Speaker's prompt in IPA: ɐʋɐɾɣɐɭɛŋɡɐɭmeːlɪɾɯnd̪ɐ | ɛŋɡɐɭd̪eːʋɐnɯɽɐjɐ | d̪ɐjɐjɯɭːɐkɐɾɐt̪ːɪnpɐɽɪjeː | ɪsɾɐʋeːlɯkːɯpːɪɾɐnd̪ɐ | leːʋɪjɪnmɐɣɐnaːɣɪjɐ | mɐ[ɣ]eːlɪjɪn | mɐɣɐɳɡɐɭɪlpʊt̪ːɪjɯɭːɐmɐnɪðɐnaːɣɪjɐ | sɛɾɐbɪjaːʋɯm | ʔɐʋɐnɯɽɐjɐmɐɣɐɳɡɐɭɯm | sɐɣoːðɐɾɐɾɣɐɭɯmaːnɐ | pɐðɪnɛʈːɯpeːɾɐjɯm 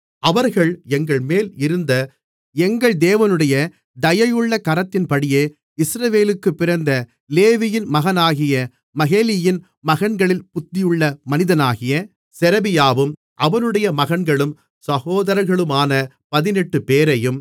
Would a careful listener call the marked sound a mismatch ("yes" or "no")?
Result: no